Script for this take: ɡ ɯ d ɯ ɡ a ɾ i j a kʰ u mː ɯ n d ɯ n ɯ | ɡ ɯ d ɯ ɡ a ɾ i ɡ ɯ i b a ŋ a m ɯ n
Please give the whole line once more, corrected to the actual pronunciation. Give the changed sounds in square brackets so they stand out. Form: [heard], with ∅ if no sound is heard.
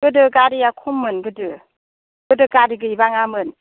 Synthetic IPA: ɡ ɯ d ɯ ɡ a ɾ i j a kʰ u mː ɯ n [ɡ] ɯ [d] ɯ | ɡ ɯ d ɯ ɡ a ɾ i ɡ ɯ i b a ŋ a m ɯ n